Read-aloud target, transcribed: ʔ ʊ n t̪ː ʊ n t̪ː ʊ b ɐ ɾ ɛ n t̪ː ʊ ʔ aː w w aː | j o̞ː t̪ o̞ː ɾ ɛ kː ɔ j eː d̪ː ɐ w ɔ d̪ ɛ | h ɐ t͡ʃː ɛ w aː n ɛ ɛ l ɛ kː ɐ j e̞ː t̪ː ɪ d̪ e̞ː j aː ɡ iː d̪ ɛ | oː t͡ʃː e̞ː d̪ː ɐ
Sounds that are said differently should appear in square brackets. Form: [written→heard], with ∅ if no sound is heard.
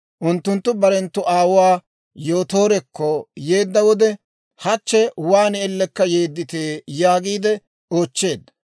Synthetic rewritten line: ʔ ʊ n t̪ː ʊ n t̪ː ʊ b ɐ ɾ ɛ n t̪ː ʊ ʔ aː w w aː | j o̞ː t̪ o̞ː ɾ ɛ kː ɔ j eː d̪ː ɐ w ɔ d̪ ɛ | h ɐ t͡ʃː ɛ w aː n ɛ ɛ [l→lː] ɛ kː ɐ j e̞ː [t̪ː→d̪ː] ɪ [d̪→t̪] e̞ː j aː ɡ iː d̪ ɛ | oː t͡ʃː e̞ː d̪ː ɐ

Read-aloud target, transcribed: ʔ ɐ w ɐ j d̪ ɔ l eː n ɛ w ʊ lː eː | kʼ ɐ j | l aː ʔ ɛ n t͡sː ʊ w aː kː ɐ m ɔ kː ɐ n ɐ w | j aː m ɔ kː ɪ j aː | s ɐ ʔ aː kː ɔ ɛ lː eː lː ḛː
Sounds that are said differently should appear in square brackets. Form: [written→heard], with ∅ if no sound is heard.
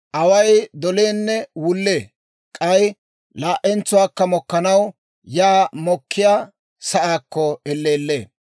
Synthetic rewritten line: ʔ ɐ w ɐ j d̪ ɔ l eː [n→nː] ɛ w ʊ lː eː | kʼ ɐ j | l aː ʔ ɛ n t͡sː ʊ w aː kː ɐ m ɔ kː ɐ n ɐ w | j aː m ɔ kː ɪ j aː | s ɐ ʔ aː kː ɔ ɛ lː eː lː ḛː

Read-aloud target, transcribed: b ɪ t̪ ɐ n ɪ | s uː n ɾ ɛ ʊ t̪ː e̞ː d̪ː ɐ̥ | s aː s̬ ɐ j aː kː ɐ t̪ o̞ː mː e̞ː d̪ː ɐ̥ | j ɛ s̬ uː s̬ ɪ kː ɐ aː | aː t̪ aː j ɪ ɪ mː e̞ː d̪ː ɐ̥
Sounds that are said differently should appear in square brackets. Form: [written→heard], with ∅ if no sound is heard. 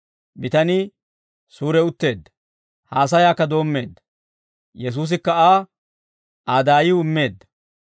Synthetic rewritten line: b ɪ t̪ ɐ n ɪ | s uː [n→∅] ɾ ɛ ʊ t̪ː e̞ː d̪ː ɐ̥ | [s→h] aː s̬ ɐ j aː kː ɐ [t̪→d̪] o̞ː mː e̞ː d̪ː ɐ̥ | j ɛ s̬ uː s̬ ɪ kː ɐ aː | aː [t̪→d̪] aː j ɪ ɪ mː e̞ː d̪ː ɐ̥

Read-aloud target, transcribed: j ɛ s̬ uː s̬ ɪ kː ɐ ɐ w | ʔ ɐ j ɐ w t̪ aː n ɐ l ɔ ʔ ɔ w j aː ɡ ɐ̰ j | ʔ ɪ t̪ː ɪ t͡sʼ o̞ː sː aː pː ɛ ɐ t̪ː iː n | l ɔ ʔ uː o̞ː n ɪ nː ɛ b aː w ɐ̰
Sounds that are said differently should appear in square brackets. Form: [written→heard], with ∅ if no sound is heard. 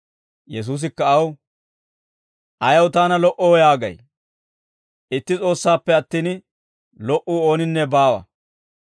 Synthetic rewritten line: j ɛ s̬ uː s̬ ɪ kː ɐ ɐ w | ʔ ɐ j ɐ w t̪ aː n ɐ l ɔ ʔ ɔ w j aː ɡ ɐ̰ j | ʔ ɪ t̪ː ɪ t͡sʼ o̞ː sː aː pː ɛ ɐ t̪ː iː n | l ɔ ʔ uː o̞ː n ɪ nː ɛ b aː w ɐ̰

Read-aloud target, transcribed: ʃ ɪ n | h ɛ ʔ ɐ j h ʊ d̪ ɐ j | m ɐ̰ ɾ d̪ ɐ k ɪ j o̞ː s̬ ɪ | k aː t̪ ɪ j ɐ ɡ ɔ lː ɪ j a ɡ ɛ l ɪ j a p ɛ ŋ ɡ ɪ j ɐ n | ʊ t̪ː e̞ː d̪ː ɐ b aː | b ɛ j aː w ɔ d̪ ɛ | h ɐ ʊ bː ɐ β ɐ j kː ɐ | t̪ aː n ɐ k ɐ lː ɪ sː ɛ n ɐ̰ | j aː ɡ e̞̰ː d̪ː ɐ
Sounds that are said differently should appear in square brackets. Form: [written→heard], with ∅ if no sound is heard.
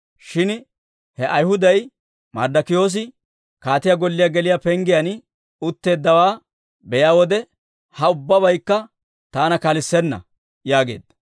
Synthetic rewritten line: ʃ ɪ n | h ɛ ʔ ɐ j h ʊ d̪ ɐ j | m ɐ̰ ɾ d̪ ɐ k ɪ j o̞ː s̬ ɪ | k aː t̪ ɪ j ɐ ɡ ɔ lː ɪ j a ɡ ɛ l ɪ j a p ɛ ŋ ɡ ɪ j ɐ n | ʊ t̪ː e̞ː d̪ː ɐ [b→w] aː | b ɛ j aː w ɔ d̪ ɛ | h ɐ ʊ bː ɐ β ɐ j kː ɐ | t̪ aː n ɐ k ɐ [lː→l] ɪ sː ɛ [n→nː] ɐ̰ | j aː ɡ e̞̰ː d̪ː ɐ

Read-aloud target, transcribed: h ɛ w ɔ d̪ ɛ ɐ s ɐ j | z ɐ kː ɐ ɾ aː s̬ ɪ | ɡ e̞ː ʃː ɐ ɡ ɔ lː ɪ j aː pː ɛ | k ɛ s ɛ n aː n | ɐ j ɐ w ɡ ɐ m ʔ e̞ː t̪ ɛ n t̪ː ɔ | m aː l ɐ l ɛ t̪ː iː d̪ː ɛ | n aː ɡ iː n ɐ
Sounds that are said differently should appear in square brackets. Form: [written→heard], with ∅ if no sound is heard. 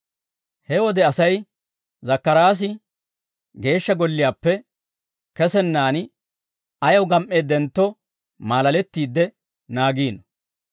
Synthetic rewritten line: h ɛ w ɔ d̪ ɛ ɐ s ɐ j | z ɐ kː ɐ ɾ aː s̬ ɪ | ɡ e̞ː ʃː ɐ ɡ ɔ lː ɪ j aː pː ɛ | k ɛ s ɛ [n→nː] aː n | ɐ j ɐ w ɡ ɐ m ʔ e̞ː [t̪→d̪] ɛ n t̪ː ɔ | m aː l ɐ l ɛ t̪ː iː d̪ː ɛ | n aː ɡ iː n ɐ

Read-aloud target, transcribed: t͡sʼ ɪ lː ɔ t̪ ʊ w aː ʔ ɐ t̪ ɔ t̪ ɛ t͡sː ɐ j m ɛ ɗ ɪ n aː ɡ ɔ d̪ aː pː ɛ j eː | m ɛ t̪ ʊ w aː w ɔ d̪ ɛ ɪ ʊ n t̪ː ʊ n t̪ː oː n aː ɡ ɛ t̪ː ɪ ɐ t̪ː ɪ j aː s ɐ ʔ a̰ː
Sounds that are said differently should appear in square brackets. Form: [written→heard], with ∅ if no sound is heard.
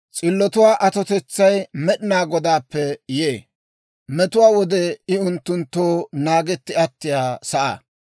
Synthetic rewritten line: t͡sʼ ɪ lː ɔ t̪ ʊ w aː ʔ ɐ t̪ ɔ t̪ ɛ t͡sː ɐ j m ɛ ɗ ɪ n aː ɡ ɔ d̪ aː pː ɛ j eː | m ɛ t̪ ʊ w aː w ɔ d̪ ɛ ɪ ʊ n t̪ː ʊ n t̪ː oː n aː ɡ ɛ t̪ː ɪ ɐ t̪ː ɪ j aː s ɐ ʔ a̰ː

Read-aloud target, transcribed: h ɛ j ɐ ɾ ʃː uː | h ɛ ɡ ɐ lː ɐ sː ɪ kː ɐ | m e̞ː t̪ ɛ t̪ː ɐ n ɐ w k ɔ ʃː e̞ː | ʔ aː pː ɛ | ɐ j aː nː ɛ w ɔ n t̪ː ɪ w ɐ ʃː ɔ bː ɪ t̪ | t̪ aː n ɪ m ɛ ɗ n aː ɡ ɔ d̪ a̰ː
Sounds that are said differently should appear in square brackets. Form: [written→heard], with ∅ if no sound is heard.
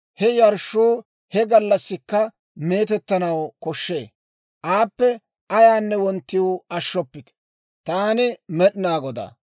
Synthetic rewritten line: h ɛ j ɐ ɾ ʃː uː | h ɛ ɡ ɐ lː ɐ sː ɪ kː ɐ | m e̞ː t̪ ɛ t̪ː ɐ n ɐ w k ɔ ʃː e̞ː | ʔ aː pː ɛ | ɐ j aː nː ɛ w ɔ n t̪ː ɪ w ɐ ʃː ɔ [bː→pː] ɪ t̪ | t̪ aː n ɪ m ɛ ɗ n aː ɡ ɔ d̪ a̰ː

